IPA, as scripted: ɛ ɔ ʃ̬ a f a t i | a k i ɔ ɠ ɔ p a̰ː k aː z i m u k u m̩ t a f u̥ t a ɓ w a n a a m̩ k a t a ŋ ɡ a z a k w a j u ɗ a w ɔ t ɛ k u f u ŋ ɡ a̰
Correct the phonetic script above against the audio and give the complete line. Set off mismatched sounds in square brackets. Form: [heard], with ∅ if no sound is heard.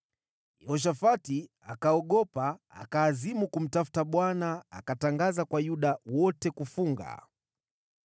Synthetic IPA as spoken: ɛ ɔ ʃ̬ a f a t i | a k [a] ɔ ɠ ɔ p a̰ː k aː z i m u k u m̩ t a f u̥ t a ɓ w a n a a [∅] k a t a ŋ ɡ a z a k w a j u ɗ a w ɔ t ɛ k u f u ŋ ɡ a̰